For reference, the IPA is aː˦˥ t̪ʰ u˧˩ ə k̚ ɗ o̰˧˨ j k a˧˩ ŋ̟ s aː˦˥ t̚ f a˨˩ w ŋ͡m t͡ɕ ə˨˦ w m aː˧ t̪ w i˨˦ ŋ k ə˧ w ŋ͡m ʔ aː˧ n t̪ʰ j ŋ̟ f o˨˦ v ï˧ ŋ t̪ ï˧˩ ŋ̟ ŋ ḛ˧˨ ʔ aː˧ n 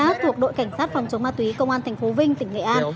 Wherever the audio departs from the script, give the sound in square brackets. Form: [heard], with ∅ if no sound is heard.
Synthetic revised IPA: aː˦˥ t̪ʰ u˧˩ ə k̚ ɗ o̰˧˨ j k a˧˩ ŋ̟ s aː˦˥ t̚ f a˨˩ w ŋ͡m t͡ɕ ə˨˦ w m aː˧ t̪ w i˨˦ [∅] k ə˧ w ŋ͡m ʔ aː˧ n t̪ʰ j ŋ̟ f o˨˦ v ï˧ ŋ t̪ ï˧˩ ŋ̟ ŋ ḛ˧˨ ʔ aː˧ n